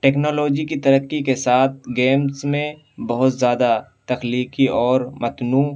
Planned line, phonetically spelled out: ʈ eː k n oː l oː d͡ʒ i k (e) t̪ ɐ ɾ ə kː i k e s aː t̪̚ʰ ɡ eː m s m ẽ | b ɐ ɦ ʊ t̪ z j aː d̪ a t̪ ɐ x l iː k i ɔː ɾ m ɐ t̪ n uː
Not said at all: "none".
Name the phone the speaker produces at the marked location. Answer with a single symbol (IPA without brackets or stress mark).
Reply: i